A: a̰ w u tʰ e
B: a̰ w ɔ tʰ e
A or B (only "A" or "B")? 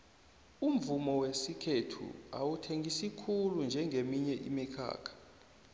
A